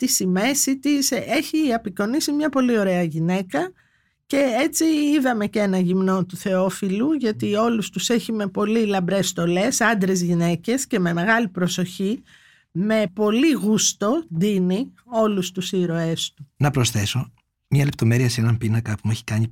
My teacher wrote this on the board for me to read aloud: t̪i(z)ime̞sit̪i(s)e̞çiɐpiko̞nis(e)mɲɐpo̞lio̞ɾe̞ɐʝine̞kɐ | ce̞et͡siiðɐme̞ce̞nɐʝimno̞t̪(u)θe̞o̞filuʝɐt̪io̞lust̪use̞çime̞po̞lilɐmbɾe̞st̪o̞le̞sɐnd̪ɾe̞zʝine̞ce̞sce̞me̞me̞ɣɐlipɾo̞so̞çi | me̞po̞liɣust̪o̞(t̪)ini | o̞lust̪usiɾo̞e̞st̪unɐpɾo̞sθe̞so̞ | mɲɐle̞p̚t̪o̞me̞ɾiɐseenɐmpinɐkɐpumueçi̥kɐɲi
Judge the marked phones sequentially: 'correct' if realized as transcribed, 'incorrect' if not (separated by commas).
incorrect, correct, incorrect, correct, incorrect